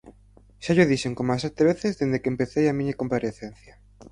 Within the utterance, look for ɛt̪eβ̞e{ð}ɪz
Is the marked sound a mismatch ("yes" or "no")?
yes